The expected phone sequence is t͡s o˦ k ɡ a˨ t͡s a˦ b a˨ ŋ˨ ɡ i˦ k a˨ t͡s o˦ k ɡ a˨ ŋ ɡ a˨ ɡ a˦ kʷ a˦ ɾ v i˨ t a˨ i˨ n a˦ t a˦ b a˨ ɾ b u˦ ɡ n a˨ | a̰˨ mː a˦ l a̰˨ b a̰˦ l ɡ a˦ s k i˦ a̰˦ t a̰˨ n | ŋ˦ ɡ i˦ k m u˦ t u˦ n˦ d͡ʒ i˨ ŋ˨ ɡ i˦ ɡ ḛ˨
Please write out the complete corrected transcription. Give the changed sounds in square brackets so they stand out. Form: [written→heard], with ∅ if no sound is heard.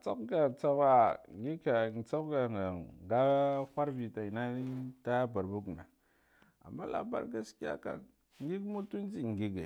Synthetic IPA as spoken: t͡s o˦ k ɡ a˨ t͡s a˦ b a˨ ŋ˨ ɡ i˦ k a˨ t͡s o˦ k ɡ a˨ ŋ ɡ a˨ ɡ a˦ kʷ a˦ ɾ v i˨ t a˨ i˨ n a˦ t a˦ b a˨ ɾ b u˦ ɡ n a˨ | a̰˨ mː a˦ l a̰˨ b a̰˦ [l→ɾ] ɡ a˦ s k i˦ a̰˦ [t→k] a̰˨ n | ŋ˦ ɡ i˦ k m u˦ t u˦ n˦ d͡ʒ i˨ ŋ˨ ɡ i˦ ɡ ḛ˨